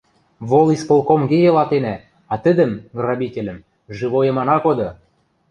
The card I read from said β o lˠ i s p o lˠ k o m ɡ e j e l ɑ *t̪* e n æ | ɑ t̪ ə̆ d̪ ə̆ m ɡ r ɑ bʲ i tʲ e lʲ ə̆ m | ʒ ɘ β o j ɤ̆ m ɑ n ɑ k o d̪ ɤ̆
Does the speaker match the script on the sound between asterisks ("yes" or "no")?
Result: yes